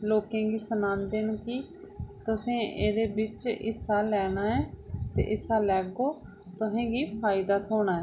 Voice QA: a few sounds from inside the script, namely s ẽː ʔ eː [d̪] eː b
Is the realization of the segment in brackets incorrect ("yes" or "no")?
no